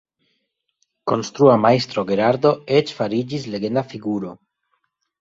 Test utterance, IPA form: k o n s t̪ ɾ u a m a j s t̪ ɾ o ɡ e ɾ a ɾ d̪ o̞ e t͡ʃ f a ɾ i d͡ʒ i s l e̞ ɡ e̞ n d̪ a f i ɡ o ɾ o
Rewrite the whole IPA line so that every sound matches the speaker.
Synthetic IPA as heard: k o n s t̪ ɾ u a m a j s t̪ ɾ o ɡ e ɾ a ɾ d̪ o̞ e t͡ʃ f a ɾ i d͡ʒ i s l e̞ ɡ e̞ n d̪ a f i ɡ u ɾ o